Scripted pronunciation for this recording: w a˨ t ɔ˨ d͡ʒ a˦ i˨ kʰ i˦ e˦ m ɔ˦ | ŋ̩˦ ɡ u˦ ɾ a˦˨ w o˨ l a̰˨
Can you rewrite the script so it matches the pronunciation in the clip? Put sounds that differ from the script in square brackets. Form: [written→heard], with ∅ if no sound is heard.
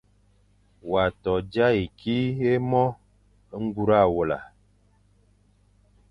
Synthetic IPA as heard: w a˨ t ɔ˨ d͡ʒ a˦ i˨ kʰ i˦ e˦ m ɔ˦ | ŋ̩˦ ɡ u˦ ɾ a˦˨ w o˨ l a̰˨